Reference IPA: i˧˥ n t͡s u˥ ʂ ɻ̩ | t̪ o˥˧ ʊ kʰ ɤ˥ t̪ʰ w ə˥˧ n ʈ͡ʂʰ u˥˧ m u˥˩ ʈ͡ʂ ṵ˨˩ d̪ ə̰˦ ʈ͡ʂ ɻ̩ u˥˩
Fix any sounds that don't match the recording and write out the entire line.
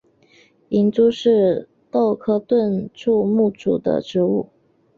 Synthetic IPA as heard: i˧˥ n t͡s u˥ ʂ ɻ̩ | t̪ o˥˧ ʊ kʰ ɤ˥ t̪ w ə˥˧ n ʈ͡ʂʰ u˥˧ m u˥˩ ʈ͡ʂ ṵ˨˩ d̪ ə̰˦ ʈ͡ʂ ɻ̩ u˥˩